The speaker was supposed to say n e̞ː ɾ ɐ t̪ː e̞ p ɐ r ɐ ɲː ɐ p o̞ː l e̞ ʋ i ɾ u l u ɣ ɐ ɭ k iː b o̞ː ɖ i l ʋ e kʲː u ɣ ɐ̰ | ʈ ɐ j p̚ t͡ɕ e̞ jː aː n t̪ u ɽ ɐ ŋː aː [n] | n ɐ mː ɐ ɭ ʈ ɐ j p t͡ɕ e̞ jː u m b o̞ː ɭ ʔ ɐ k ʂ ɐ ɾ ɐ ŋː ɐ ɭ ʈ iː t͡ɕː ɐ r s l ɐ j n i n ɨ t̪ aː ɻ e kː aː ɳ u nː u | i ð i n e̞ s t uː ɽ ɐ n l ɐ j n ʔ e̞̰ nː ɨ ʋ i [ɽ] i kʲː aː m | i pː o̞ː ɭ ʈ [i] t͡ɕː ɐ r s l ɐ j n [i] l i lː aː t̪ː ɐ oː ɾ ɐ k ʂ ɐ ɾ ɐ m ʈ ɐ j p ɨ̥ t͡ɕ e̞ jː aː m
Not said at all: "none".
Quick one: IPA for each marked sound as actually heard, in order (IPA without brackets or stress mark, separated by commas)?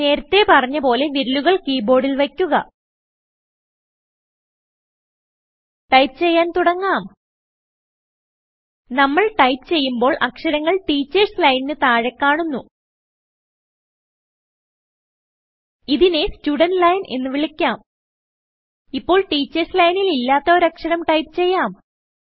m, ɭ, iː, i